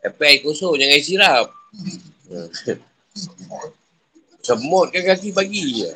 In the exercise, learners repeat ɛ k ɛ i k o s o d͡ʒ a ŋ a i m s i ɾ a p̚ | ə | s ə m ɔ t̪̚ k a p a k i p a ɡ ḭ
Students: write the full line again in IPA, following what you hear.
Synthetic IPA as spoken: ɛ p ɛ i k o s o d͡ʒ a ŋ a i s i ɾ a p̚ | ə | s ə m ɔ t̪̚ k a k a k i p a ɡ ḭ